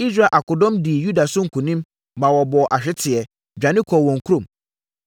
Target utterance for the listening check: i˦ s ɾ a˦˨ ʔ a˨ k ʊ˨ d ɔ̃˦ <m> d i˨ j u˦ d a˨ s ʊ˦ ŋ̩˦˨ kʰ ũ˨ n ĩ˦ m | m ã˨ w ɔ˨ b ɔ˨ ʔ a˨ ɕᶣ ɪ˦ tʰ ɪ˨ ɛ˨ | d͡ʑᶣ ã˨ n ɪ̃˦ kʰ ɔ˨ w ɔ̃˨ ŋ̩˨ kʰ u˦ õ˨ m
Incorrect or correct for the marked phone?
correct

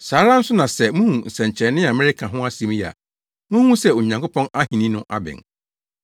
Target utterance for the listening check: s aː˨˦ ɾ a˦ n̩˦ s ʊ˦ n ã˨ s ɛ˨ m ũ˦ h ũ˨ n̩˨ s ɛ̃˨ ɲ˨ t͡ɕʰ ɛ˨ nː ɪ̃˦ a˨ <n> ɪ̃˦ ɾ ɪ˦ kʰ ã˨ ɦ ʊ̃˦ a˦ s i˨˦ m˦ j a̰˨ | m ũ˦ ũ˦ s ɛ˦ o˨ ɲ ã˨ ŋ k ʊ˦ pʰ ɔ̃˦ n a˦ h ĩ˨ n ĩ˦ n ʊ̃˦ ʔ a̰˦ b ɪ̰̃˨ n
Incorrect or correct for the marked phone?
incorrect: m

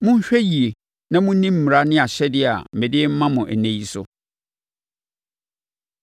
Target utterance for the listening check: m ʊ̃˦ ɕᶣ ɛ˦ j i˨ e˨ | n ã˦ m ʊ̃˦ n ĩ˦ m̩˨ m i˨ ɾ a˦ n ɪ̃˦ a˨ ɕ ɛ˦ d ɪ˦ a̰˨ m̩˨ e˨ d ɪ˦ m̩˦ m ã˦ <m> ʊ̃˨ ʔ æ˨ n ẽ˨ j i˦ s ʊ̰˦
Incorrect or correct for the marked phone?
correct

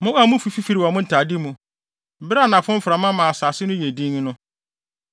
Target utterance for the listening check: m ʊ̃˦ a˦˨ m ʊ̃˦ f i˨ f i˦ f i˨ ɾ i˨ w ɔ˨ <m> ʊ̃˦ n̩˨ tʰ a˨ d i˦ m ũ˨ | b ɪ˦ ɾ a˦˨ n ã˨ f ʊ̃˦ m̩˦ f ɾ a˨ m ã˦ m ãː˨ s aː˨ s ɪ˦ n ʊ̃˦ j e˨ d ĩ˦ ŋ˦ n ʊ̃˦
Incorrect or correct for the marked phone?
correct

